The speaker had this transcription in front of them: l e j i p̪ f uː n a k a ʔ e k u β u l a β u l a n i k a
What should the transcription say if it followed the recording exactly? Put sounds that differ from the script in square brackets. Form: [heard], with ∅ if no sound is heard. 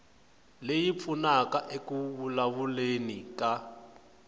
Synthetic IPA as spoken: l e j i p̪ f [u] n a k a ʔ e k u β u l a β u l [e] n i k a